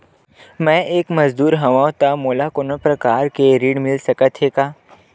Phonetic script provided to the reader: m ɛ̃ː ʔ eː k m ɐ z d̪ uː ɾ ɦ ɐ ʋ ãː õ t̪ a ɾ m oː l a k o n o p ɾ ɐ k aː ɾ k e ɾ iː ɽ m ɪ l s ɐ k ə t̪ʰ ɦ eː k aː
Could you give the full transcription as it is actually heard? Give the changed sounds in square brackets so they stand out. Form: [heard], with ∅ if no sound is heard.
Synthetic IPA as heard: m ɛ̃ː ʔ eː k m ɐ z d̪ uː ɾ ɦ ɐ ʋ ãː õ t̪ a [∅] m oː l a k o n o p ɾ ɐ k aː ɾ k e ɾ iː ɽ m ɪ l s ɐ k ə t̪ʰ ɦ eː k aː